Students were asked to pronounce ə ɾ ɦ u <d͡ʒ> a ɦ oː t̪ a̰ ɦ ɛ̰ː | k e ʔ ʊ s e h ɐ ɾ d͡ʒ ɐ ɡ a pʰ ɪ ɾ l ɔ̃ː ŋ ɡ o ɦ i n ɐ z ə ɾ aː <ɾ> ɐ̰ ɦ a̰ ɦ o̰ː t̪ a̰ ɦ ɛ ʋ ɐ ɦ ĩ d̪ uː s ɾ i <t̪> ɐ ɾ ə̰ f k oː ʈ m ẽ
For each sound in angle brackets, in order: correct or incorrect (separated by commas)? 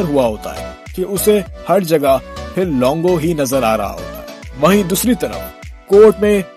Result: incorrect, correct, correct